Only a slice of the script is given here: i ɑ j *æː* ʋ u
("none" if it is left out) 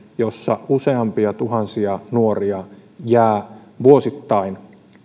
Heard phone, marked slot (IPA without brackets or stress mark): æː